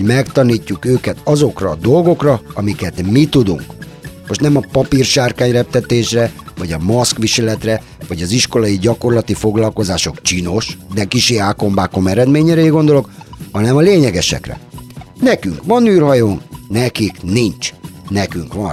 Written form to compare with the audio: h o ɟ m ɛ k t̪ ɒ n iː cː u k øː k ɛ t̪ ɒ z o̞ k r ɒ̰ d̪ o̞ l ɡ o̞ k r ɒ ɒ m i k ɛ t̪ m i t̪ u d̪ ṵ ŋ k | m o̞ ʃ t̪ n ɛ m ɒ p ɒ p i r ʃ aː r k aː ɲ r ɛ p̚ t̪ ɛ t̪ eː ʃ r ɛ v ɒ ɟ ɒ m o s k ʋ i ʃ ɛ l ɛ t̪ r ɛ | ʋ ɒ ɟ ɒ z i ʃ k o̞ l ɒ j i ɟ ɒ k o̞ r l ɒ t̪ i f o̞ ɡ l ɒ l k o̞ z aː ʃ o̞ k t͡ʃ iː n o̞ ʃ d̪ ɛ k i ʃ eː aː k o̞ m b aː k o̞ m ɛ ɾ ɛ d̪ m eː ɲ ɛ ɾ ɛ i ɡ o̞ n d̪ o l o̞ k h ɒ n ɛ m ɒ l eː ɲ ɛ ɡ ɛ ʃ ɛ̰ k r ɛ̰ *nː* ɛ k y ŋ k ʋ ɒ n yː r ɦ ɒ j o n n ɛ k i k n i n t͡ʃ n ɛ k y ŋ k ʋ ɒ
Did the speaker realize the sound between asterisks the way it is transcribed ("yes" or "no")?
no